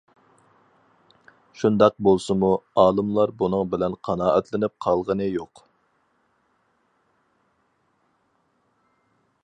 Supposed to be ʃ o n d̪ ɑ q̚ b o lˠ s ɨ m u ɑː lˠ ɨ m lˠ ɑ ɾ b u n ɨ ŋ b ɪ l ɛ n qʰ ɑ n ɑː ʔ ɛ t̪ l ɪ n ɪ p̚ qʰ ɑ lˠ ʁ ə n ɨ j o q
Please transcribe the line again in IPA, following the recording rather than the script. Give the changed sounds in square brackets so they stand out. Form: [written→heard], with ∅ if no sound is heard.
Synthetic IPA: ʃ [o→u] n d̪ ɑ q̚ b o lˠ s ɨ m u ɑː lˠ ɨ m lˠ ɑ ɾ b u n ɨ ŋ b ɪ l ɛ n qʰ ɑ n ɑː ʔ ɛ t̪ l ɪ n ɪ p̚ qʰ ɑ lˠ ʁ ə n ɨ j o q